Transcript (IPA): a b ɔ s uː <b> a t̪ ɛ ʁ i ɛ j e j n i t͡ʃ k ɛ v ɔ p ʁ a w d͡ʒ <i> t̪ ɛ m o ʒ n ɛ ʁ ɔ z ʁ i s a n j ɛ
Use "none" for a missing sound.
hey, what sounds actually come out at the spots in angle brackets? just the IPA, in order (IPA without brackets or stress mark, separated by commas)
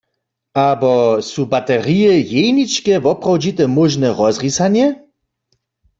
b, i